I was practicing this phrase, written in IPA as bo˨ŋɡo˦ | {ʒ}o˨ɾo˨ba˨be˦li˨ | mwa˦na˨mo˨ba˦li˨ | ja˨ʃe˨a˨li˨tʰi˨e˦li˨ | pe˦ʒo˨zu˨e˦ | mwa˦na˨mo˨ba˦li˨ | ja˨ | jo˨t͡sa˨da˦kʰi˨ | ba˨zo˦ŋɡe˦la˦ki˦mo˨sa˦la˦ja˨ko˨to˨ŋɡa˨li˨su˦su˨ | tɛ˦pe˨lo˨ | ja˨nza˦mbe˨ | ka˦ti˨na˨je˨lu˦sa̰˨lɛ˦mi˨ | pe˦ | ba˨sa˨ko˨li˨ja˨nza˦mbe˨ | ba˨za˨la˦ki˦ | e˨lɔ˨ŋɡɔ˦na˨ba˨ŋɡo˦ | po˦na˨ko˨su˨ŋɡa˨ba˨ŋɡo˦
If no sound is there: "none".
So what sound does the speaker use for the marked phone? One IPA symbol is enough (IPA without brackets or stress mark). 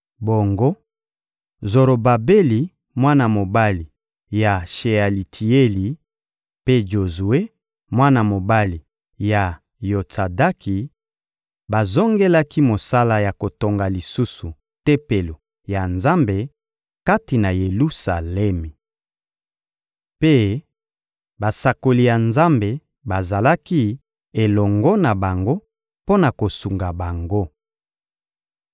z